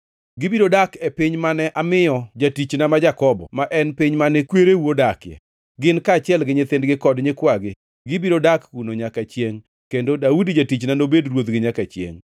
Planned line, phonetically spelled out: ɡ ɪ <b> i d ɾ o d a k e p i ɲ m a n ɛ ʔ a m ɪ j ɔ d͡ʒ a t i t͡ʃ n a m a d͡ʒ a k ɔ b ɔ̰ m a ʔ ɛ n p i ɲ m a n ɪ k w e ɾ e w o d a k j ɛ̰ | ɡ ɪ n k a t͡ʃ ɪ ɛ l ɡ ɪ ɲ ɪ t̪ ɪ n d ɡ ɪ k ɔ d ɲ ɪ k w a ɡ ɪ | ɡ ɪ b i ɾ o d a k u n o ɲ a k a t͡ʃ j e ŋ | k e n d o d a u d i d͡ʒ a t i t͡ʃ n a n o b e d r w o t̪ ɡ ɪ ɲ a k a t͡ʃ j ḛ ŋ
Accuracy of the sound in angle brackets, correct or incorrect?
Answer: correct